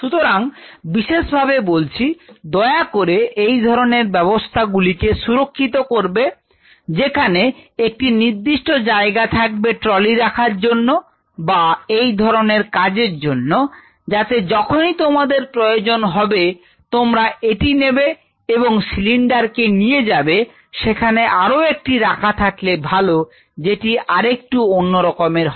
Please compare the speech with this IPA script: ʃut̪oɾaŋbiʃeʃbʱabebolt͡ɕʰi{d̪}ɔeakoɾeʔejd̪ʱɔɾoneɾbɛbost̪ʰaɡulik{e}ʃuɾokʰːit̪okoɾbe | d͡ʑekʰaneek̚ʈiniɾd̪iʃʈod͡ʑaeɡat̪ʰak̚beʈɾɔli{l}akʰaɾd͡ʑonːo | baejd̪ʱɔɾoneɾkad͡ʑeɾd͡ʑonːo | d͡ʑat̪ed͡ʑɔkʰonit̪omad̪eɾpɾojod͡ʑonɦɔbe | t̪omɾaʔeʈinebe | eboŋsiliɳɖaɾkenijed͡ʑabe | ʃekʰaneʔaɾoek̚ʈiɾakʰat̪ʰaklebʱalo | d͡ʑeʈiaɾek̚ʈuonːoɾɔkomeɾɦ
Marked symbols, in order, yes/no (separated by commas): yes, yes, no